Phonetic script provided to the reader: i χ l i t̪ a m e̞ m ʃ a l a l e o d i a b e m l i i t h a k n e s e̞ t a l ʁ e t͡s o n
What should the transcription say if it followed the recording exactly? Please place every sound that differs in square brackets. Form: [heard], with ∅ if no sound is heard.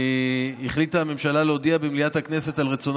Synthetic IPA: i χ l i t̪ a m e̞ m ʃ a l a l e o d i a b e m l i [a] t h a k n e s e̞ t a l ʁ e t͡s o n